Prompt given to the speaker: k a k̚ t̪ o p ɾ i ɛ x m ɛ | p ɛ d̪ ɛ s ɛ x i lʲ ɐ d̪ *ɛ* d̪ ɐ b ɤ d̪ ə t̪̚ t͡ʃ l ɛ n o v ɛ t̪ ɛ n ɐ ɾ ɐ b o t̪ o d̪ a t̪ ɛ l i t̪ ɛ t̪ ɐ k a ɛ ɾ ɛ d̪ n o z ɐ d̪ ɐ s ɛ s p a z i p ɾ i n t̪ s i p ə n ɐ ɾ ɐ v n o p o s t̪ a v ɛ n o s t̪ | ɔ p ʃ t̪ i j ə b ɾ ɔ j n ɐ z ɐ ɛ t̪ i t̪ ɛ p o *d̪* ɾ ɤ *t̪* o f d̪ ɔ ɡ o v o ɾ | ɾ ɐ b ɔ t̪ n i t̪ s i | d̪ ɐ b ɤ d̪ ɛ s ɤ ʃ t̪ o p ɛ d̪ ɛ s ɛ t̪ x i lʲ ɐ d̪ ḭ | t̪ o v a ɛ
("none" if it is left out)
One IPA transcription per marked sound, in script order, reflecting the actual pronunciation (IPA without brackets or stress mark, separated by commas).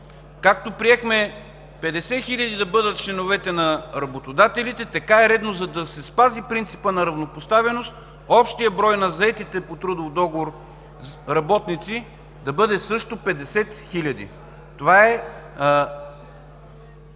i, t̪, d̪